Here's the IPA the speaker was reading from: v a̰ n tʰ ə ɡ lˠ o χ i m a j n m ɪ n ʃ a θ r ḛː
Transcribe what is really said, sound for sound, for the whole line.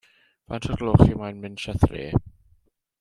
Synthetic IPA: v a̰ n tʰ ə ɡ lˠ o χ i m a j n m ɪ n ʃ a θ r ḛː